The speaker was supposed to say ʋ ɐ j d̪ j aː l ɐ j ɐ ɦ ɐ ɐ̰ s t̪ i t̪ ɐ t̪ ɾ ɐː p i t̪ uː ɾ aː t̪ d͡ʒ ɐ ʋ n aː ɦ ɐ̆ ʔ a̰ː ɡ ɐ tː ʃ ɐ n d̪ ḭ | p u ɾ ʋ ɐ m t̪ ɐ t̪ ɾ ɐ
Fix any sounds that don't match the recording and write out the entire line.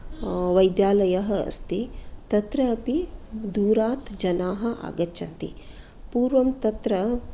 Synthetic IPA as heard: ʋ ɐ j d̪ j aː l ɐ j ɐ ɦ ɐ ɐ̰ s t̪ i t̪ ɐ t̪ ɾ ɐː p i d̪ uː ɾ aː t̪ d͡ʒ ɐ n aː ɦ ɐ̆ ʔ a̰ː ɡ ɐ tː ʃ ɐ n t̪ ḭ | p uː ɾ ʋ ɐ m t̪ ɐ t̪ ɾ ɐ